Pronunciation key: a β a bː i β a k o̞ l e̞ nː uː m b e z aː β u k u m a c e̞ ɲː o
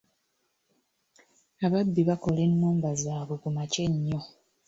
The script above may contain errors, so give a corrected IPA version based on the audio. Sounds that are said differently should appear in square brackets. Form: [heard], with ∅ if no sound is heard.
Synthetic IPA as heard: a β a bː i β a k o̞ l e̞ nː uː m b [a] z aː β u k u m a c e̞ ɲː o